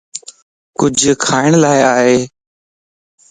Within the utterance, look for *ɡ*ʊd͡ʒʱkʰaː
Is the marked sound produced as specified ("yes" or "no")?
no